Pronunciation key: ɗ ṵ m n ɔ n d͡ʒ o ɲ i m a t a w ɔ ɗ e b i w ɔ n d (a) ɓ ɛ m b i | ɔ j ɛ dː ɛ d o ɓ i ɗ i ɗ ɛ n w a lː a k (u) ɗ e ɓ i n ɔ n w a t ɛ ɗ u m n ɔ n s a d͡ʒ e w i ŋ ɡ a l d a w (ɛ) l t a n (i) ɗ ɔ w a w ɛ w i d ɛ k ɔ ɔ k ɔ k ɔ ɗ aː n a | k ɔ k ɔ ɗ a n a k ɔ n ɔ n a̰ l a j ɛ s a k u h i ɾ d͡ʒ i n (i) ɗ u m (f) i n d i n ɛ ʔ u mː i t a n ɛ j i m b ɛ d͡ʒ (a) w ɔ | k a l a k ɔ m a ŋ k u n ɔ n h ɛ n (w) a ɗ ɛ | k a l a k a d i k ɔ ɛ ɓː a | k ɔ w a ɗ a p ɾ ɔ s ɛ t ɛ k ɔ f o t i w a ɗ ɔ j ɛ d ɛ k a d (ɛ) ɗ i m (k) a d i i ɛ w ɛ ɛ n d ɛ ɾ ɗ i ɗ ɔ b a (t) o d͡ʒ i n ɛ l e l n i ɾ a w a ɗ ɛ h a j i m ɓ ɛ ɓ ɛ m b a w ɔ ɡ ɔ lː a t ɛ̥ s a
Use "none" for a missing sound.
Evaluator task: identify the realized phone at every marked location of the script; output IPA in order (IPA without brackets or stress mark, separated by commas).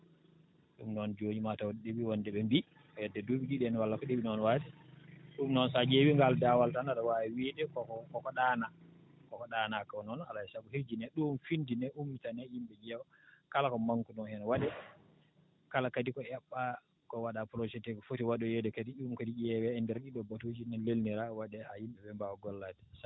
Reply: ɛ, ɔ, a, a, ɛ, f, ɛ, w, i, k, t